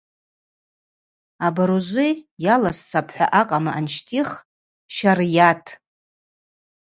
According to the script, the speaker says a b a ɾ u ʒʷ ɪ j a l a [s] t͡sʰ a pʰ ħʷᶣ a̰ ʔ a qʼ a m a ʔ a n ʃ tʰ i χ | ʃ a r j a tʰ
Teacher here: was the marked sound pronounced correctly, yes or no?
yes